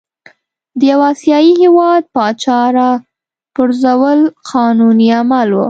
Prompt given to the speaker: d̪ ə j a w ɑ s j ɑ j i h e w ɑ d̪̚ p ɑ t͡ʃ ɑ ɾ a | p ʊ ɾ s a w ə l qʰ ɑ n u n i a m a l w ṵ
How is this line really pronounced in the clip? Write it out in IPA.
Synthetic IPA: d̪ ə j a w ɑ s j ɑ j i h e w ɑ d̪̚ p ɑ t͡ʃ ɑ ɾ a | p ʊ ɾ z a w ə l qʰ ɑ n u n i a m a l w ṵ